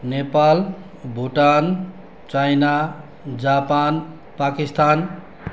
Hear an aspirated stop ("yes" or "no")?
no